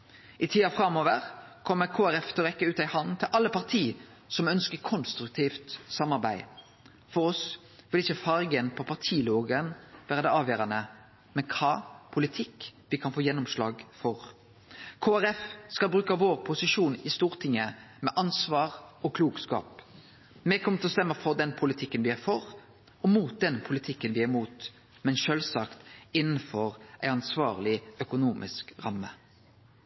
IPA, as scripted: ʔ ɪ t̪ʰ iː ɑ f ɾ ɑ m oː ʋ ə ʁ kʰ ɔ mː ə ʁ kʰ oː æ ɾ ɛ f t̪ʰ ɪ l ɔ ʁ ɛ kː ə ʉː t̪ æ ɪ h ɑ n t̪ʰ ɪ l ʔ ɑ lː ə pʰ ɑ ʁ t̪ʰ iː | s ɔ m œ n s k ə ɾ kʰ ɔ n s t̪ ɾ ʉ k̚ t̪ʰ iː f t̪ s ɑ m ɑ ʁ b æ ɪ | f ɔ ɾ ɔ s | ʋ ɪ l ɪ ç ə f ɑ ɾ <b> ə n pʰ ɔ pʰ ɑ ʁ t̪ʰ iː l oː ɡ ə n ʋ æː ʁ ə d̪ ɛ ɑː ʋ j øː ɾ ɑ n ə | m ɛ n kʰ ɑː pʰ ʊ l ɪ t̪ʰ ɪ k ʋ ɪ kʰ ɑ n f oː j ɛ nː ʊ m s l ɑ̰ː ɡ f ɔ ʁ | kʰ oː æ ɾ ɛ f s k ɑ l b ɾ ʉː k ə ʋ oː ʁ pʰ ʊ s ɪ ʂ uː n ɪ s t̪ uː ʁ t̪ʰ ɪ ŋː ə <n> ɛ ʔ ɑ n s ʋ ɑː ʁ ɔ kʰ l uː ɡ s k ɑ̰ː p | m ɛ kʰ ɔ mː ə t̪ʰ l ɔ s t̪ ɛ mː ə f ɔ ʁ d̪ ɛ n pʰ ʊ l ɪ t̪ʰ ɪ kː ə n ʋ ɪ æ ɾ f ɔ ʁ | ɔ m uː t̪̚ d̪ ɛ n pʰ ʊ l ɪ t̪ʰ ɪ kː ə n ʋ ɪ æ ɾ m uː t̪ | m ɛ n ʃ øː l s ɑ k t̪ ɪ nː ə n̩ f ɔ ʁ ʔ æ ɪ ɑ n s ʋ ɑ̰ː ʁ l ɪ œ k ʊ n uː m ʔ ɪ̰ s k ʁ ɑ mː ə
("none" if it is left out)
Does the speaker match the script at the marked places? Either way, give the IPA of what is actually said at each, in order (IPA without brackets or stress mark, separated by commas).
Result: ɡ, m